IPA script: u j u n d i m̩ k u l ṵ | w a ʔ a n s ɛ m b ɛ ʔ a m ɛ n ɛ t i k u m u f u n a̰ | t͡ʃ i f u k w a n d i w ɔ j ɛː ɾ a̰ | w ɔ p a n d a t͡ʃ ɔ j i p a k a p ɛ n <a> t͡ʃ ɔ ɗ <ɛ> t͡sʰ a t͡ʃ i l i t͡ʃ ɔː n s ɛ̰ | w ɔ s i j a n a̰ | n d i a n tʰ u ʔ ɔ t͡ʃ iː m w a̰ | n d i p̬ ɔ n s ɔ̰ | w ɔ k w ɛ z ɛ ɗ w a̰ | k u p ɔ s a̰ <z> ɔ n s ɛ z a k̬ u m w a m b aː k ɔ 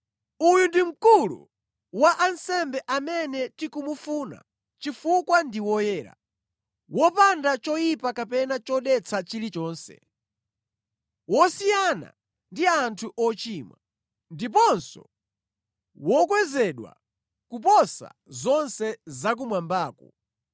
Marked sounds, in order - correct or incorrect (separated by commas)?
correct, correct, correct